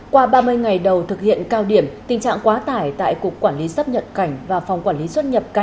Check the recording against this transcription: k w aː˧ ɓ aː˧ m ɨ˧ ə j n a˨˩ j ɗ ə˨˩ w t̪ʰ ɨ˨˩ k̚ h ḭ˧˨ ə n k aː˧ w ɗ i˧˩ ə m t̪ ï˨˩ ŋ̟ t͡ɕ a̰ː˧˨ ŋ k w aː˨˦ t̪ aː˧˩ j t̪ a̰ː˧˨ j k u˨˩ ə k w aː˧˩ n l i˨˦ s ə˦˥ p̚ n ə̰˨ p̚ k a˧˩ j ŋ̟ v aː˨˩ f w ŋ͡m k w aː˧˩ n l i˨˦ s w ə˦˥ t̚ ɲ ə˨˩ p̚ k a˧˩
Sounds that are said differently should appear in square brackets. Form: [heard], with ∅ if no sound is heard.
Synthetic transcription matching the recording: k w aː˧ ɓ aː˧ m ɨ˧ ə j [ŋ] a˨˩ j ɗ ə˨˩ w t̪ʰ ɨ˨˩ k̚ h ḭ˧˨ ə n k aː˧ w ɗ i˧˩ ə m t̪ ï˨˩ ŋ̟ t͡ɕ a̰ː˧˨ ŋ k w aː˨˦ t̪ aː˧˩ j t̪ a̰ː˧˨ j k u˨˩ ə k w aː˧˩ n l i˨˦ s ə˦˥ p̚ [ɲ] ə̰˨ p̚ k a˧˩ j ŋ̟ v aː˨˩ f w ŋ͡m k w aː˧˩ n l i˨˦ s w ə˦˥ t̚ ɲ ə˨˩ p̚ k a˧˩